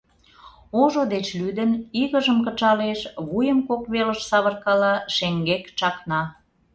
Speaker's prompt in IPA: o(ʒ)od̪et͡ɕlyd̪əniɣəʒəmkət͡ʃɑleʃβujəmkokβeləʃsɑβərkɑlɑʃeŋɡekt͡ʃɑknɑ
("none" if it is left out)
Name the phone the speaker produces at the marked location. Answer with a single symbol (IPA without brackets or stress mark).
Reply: ʒ